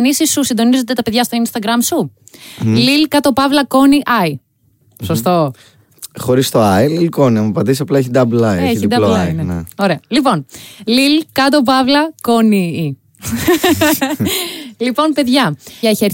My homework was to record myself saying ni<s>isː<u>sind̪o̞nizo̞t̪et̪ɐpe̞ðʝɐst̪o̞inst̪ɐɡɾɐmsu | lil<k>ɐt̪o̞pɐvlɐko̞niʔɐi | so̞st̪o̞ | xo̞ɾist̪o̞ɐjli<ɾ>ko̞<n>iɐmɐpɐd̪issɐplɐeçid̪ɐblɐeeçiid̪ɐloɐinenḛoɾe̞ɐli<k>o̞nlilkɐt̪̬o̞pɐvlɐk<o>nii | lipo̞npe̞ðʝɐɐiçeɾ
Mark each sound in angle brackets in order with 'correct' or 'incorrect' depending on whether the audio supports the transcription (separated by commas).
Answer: correct, correct, correct, incorrect, correct, incorrect, correct